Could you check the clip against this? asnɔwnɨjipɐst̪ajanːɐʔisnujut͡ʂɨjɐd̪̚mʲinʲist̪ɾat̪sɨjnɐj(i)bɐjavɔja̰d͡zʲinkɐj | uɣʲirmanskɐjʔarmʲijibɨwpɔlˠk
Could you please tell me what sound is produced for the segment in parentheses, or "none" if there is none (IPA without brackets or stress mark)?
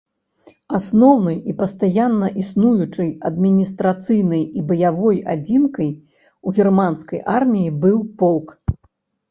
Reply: i